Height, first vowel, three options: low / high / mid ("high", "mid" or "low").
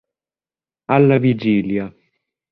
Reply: low